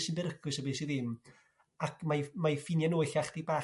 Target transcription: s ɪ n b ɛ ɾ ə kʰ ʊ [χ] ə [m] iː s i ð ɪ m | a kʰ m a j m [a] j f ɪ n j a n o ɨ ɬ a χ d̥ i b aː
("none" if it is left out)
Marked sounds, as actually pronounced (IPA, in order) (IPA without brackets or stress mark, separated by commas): s, b, a